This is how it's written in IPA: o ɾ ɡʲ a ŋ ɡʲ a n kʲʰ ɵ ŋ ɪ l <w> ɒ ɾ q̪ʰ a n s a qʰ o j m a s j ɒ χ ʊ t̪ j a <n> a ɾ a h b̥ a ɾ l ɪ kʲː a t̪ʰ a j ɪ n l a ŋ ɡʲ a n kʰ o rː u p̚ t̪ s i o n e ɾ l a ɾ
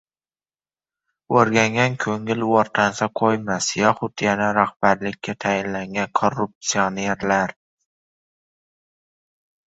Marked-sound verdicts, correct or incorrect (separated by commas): correct, correct